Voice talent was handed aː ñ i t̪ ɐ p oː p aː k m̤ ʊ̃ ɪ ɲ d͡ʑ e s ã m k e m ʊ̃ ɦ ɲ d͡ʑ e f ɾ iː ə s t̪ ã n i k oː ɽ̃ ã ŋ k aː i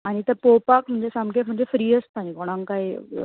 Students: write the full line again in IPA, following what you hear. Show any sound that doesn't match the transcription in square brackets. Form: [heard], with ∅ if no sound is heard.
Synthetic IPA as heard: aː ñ i t̪ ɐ p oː p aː k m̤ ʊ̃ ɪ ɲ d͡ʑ e s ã m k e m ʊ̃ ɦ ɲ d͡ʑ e f ɾ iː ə s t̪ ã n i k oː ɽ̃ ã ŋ k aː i